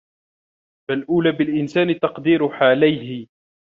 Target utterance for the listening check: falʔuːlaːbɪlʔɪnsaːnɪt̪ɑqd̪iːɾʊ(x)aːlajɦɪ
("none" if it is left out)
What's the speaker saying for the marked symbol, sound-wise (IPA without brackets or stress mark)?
ħ